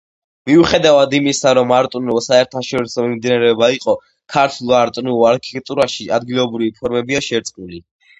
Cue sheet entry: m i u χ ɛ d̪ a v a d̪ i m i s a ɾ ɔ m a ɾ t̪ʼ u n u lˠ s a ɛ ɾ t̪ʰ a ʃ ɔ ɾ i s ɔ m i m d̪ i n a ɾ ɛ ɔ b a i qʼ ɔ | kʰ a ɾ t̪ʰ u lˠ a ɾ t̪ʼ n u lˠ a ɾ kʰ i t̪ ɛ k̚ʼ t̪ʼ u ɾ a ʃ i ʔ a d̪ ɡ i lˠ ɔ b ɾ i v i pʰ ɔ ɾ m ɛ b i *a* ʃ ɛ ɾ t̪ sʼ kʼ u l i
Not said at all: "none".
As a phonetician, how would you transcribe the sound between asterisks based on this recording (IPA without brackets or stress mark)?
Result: a